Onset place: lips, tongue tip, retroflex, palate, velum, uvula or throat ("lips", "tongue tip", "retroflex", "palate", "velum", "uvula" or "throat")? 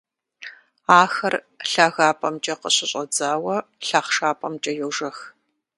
velum